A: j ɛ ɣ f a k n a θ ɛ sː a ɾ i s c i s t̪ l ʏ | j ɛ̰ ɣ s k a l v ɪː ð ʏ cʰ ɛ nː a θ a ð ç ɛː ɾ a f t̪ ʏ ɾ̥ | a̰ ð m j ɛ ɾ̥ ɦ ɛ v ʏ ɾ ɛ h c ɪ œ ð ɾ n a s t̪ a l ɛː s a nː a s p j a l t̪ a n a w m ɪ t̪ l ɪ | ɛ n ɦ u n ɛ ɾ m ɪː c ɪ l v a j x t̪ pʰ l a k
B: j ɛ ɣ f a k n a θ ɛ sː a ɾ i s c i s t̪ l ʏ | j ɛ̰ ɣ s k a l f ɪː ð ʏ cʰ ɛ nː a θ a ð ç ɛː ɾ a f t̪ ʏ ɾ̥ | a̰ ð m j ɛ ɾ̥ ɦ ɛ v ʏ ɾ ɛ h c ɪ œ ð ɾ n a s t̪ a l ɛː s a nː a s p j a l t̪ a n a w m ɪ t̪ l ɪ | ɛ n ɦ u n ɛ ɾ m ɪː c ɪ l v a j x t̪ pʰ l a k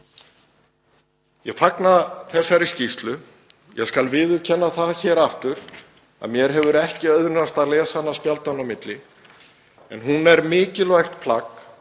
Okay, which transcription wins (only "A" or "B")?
A